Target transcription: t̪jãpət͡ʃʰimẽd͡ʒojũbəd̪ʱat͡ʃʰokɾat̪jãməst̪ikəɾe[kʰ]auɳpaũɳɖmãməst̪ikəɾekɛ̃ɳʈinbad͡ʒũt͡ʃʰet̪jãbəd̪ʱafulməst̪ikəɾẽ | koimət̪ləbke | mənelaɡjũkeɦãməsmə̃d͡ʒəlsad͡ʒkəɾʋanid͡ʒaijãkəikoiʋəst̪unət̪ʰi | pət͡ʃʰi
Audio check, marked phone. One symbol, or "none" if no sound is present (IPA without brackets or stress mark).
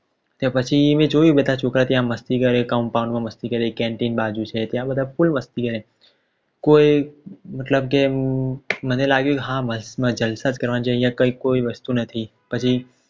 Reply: k